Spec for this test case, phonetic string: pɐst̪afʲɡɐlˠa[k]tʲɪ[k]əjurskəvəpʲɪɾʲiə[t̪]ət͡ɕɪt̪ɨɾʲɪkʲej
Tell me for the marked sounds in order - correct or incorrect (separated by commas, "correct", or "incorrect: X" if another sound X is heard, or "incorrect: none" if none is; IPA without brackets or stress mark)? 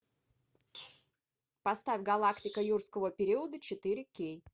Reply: correct, correct, incorrect: d̪